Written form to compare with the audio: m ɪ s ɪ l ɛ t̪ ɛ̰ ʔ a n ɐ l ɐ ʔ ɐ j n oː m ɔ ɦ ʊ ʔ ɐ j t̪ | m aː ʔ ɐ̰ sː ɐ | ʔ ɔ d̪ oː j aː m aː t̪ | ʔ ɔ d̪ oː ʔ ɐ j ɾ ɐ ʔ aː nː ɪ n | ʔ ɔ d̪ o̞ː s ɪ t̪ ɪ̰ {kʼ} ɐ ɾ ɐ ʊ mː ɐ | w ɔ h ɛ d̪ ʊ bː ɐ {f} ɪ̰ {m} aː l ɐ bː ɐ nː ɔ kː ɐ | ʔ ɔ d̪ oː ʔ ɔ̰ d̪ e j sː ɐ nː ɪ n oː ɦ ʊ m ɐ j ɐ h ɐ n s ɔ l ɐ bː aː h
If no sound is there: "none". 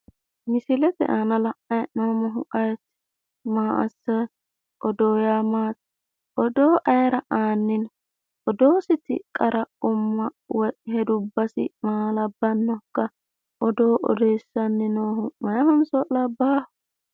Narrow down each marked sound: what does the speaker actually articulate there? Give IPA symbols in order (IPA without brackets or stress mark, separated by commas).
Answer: kʼ, s, m